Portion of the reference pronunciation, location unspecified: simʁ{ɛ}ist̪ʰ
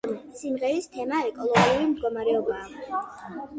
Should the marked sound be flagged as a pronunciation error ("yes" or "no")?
no